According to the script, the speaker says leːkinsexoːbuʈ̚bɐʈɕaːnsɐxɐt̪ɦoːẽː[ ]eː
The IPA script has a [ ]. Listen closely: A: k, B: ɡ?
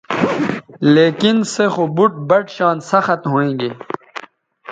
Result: B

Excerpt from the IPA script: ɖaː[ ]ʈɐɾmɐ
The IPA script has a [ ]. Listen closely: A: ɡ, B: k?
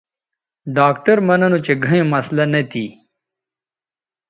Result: B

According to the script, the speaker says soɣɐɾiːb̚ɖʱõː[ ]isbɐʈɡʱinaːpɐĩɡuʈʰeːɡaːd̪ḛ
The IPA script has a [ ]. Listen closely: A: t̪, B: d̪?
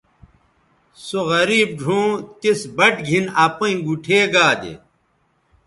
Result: A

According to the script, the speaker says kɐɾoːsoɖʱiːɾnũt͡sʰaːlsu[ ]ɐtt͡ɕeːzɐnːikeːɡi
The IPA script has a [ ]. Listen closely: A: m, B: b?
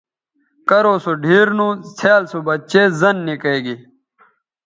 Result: B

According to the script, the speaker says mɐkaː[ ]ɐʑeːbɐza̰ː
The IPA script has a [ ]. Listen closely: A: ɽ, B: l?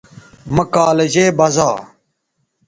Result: B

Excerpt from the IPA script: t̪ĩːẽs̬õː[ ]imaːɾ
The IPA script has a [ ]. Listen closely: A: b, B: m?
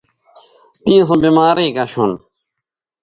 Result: A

